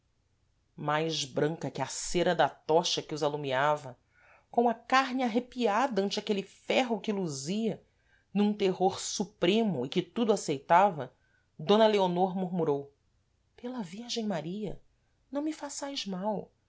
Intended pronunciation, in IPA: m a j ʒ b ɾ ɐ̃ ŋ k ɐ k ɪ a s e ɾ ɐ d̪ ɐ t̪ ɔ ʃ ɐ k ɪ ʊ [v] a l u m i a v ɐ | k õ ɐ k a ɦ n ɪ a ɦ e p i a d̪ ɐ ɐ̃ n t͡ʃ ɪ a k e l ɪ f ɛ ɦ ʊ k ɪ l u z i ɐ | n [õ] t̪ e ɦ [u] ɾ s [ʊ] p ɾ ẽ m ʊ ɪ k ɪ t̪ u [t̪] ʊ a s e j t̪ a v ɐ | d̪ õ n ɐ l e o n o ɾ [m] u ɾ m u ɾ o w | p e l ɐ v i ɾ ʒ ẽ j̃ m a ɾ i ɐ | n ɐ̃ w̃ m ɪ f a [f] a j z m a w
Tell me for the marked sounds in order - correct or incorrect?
incorrect, incorrect, incorrect, incorrect, incorrect, correct, incorrect

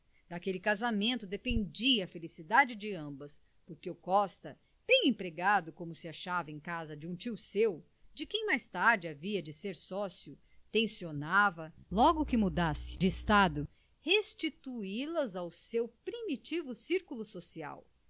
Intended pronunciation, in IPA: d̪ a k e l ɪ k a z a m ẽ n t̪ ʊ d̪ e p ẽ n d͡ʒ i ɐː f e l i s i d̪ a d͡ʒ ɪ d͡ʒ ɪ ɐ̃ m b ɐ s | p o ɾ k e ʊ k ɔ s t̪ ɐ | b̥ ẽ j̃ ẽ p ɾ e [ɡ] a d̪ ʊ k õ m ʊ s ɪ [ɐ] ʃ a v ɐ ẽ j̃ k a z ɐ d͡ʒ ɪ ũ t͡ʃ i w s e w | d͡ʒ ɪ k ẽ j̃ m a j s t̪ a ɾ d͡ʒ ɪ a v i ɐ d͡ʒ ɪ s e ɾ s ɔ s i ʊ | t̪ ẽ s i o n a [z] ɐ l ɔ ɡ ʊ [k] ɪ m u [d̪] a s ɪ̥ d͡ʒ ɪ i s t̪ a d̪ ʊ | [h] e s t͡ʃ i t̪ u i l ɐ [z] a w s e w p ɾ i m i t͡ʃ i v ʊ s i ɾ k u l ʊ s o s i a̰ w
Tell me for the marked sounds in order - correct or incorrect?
correct, incorrect, incorrect, correct, correct, correct, correct

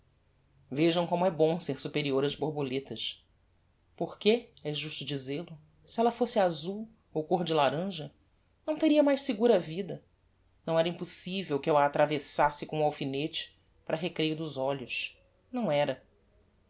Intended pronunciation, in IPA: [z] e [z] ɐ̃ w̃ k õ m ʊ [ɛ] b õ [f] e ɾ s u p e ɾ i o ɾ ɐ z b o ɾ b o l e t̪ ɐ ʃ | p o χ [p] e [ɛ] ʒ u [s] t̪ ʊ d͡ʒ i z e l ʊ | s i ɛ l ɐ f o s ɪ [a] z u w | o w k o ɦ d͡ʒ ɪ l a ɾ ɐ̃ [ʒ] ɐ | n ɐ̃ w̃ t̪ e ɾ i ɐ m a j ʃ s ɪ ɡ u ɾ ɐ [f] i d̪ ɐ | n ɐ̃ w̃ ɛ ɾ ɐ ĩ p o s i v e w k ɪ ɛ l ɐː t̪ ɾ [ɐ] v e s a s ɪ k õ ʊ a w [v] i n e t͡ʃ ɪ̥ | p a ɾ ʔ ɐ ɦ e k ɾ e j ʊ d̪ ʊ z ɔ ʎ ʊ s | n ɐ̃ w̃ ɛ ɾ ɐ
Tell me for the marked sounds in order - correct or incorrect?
incorrect, incorrect, correct, incorrect, incorrect, correct, incorrect, correct, correct, incorrect, incorrect, incorrect

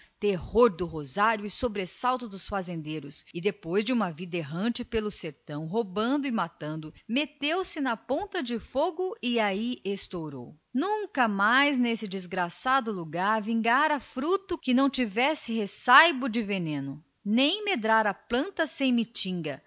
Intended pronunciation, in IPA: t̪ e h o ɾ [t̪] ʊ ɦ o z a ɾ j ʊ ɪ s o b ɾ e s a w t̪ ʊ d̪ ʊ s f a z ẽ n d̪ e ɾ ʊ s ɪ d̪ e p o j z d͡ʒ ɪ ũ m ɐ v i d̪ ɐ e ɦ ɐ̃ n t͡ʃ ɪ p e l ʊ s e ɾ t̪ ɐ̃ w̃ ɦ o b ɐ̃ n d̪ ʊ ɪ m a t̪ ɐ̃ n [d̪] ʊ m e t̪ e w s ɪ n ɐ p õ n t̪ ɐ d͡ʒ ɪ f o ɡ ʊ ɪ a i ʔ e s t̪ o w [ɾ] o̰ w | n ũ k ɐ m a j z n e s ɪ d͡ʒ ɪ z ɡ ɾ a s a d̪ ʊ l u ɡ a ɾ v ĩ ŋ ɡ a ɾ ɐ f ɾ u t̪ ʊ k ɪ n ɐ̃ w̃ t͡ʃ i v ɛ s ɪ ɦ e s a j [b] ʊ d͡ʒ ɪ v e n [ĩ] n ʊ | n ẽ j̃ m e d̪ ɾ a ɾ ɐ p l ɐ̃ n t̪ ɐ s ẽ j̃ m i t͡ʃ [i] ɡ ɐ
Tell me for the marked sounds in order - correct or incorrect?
incorrect, correct, correct, correct, incorrect, incorrect

